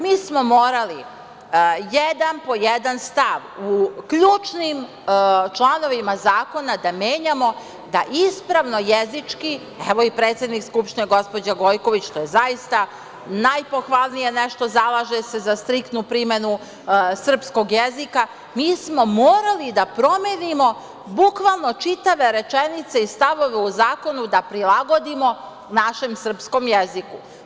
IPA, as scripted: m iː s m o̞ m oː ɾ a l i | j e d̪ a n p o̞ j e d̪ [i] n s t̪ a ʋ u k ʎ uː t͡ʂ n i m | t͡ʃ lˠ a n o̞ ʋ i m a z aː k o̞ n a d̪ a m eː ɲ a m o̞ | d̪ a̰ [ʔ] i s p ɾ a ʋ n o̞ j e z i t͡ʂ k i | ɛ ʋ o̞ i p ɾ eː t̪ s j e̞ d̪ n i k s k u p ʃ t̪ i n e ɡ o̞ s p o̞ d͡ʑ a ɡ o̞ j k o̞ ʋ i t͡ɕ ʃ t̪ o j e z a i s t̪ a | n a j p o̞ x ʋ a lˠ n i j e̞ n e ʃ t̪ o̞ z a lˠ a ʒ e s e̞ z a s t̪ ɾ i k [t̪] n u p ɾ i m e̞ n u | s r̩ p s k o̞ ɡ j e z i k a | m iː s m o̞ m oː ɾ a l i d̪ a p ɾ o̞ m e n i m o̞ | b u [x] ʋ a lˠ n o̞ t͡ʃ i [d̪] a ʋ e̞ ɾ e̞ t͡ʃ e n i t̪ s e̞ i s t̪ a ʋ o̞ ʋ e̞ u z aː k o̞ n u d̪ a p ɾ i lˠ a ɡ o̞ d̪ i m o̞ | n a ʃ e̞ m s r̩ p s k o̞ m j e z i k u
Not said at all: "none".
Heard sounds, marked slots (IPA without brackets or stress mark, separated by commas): a, ʔ, t̪, k, t̪